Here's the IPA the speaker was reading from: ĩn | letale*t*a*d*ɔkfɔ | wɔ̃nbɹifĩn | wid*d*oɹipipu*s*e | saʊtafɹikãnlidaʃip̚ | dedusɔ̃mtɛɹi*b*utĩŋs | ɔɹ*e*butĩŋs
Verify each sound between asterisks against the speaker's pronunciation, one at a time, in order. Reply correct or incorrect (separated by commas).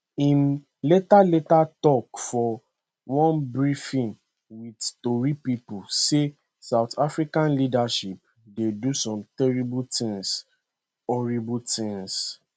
correct, incorrect, incorrect, correct, correct, incorrect